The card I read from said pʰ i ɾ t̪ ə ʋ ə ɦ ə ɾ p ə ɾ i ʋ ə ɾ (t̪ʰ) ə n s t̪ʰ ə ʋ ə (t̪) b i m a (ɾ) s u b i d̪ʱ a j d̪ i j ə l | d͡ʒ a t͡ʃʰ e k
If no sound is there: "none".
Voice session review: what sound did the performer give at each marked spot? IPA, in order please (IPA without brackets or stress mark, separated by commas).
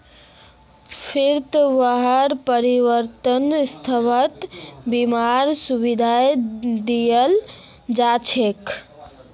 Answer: t̪, t̪, ɾ